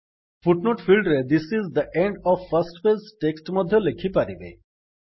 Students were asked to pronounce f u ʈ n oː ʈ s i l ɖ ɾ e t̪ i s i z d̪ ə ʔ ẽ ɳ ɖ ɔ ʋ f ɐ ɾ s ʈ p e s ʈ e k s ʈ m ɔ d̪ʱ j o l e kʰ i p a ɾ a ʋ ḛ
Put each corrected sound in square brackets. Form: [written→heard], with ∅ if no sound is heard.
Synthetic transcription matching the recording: f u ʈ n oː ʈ [s→f] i l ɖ ɾ e [t̪→d̪] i s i z d̪ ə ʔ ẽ ɳ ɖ ɔ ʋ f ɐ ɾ s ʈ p e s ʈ e k s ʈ m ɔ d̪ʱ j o l e kʰ i p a ɾ [a→i] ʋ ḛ